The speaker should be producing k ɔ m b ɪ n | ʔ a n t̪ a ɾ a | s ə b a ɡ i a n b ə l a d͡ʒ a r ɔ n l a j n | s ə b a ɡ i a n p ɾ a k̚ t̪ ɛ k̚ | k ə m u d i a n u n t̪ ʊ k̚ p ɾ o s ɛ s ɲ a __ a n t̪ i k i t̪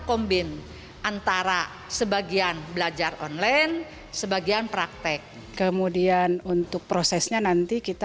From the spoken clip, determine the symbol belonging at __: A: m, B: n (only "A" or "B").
B